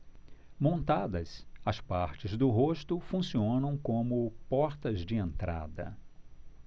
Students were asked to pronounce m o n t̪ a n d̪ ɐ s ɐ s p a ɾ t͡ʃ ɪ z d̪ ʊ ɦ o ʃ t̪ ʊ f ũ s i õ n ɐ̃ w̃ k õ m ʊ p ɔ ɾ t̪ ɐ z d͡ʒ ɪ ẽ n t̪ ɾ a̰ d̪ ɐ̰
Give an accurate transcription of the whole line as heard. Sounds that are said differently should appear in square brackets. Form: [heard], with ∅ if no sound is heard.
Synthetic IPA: m [õ] n t̪ a [∅] d̪ ɐ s ɐ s p a ɾ t͡ʃ ɪ z d̪ ʊ ɦ o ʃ t̪ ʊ f ũ s i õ n ɐ̃ w̃ k õ m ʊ p ɔ ɾ t̪ ɐ z d͡ʒ ɪ ẽ n t̪ ɾ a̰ d̪ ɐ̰